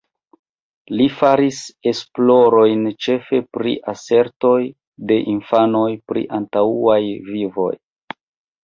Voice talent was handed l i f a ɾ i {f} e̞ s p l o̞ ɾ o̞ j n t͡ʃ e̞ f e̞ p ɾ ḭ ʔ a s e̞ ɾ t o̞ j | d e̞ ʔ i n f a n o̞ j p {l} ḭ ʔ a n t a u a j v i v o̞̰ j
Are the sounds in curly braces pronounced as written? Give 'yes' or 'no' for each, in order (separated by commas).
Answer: no, no